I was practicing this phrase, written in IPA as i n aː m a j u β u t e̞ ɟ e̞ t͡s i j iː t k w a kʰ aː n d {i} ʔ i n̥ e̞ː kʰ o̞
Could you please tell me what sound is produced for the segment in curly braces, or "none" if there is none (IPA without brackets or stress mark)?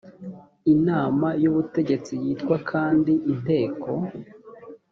i